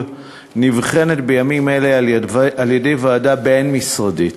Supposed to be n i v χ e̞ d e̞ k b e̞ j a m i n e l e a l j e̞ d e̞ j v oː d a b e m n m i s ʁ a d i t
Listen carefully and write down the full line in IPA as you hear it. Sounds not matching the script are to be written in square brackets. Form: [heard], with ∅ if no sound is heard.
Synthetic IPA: n i v χ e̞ [n] e̞ [t] b e̞ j a m i [m] e l e a l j e̞ d e̞ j v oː d a b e [∅] n m i s ʁ a d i t